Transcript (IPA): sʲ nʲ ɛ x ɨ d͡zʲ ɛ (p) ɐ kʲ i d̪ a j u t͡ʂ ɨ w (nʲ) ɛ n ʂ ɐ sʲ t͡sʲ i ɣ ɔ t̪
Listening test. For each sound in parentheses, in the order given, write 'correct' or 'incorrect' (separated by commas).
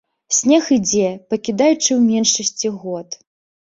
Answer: correct, incorrect